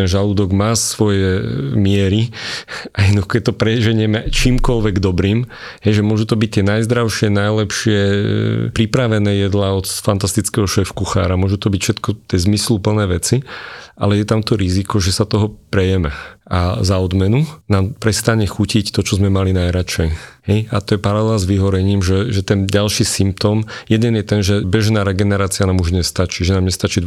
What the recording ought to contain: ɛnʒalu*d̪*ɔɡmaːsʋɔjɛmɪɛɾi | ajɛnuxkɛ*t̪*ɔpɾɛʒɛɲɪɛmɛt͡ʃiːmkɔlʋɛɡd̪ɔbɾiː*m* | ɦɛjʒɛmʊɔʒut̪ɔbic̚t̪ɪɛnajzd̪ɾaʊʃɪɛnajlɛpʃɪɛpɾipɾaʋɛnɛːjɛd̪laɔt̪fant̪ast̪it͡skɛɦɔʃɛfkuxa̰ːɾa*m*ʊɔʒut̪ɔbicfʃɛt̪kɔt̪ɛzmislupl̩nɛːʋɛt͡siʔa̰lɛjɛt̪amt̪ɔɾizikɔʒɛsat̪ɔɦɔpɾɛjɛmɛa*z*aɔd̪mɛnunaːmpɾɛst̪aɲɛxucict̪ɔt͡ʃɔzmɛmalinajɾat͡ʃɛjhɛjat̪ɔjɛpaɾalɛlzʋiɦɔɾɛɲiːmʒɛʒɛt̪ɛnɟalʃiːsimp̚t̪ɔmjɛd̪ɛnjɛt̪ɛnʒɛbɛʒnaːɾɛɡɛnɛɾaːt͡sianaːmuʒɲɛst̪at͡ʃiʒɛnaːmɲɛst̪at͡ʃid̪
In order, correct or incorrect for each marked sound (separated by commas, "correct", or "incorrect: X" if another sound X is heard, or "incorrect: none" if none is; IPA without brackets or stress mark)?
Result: correct, correct, correct, correct, correct